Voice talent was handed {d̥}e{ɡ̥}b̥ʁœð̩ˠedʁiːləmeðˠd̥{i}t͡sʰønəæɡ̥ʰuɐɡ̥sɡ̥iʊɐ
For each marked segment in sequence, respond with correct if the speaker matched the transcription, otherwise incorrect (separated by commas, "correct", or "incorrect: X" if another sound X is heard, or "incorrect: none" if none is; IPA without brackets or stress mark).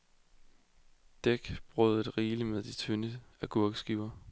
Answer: correct, correct, correct